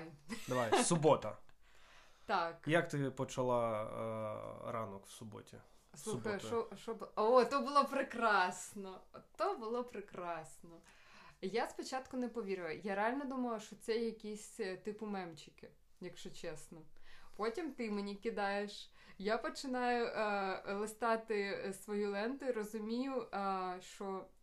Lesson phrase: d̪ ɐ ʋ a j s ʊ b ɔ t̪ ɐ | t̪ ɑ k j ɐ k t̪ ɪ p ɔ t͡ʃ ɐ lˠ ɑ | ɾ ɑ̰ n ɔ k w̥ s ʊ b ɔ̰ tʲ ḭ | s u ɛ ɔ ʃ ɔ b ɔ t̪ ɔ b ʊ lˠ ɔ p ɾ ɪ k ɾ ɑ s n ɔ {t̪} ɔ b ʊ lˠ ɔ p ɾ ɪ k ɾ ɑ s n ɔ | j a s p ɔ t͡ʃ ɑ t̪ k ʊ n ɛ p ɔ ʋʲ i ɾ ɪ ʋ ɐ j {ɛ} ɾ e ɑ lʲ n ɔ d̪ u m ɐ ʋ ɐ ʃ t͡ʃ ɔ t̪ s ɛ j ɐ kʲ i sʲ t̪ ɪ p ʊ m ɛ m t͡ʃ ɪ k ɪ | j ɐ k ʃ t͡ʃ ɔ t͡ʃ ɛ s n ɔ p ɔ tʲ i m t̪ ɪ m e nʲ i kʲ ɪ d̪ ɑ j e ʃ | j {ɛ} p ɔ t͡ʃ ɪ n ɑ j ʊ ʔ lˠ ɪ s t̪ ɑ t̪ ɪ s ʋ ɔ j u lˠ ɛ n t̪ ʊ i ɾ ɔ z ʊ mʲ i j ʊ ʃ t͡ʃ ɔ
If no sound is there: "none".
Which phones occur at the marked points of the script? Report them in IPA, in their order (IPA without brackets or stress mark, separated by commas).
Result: t̪, a, a